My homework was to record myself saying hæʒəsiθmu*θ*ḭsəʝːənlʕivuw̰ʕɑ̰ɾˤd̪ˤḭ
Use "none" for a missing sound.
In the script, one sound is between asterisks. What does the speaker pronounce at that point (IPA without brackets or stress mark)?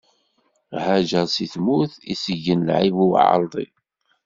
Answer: θ